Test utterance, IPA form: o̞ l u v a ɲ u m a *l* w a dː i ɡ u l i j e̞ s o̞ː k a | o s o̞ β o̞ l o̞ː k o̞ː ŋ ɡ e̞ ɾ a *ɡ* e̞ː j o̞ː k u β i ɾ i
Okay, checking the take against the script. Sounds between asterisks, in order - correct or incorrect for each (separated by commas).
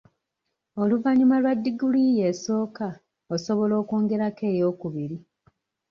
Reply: correct, incorrect